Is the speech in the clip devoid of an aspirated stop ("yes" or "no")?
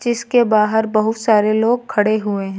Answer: no